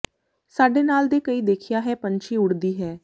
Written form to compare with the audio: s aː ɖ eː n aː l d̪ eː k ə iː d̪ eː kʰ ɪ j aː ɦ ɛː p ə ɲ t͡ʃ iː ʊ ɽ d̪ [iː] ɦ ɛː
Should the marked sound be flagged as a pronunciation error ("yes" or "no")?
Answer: no